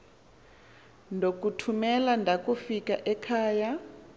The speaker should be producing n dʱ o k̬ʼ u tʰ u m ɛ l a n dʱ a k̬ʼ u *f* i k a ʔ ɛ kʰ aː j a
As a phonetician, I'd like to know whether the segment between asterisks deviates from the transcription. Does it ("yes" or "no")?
no